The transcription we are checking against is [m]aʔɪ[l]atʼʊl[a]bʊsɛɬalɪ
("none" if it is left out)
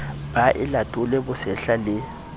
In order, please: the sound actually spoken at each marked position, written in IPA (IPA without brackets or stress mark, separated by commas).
b, l, ɛ